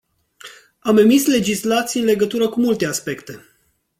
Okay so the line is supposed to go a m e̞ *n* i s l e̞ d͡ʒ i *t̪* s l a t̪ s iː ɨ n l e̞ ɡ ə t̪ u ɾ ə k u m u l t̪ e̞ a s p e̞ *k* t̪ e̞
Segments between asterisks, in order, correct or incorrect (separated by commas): incorrect, incorrect, correct